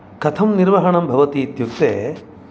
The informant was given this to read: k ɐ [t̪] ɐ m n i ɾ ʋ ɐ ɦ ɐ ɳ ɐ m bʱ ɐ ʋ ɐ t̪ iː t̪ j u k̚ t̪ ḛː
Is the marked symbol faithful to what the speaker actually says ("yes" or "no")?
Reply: no